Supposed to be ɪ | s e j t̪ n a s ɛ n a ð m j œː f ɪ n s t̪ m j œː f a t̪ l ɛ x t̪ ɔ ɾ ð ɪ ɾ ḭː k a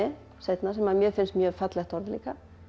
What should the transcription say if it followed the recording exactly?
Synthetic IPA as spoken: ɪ | s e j t̪ n a s ɛ m a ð m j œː f ɪ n s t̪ m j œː f a t̪ l ɛ x t̪ ɔ ɾ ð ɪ l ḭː k a